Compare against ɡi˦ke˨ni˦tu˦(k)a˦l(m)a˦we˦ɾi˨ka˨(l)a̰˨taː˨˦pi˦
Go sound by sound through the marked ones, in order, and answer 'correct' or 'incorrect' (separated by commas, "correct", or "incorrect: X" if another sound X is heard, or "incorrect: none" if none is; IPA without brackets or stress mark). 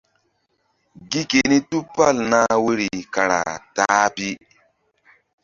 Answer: incorrect: p, incorrect: n, incorrect: ɾ